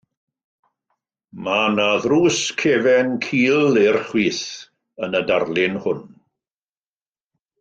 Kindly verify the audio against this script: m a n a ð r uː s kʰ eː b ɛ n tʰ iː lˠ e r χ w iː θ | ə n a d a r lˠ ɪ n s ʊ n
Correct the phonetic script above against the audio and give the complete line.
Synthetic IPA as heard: m a n a ð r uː s kʰ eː v ɛ n kʰ iː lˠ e r χ w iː θ | ə n ə d a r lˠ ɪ n h ʊ n